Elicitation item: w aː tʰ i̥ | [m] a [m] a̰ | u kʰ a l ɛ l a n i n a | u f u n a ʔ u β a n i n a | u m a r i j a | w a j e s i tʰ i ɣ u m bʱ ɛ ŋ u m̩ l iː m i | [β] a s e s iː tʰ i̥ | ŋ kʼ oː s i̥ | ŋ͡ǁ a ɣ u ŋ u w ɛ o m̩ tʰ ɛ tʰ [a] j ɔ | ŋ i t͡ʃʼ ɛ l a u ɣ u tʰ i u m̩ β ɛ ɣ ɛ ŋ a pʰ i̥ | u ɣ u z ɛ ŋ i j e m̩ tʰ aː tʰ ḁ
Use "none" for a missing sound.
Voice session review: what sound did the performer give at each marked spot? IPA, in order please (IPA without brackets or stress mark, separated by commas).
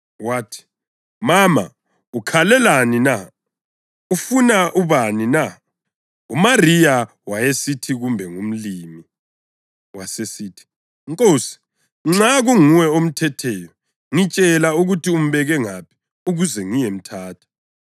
m, m, w, ɛ